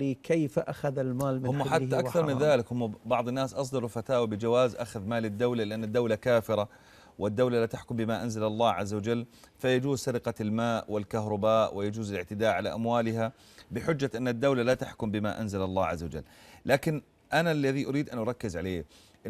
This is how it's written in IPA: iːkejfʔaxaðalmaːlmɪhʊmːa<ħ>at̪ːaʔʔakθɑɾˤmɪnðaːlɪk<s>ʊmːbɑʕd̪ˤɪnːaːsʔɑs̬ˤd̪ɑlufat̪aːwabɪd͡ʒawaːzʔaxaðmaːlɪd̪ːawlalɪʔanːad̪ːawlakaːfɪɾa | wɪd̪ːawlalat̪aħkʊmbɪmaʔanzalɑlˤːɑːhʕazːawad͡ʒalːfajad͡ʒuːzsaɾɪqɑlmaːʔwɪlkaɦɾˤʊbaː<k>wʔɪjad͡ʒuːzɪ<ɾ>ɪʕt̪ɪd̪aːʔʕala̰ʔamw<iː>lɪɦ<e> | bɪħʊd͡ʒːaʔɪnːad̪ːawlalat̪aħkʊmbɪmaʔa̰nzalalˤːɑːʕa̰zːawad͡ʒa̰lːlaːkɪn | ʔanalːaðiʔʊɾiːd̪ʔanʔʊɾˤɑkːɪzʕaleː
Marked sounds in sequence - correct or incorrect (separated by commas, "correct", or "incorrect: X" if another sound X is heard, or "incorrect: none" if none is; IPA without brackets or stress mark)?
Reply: correct, incorrect: h, incorrect: ʔ, incorrect: l, incorrect: aː, incorrect: a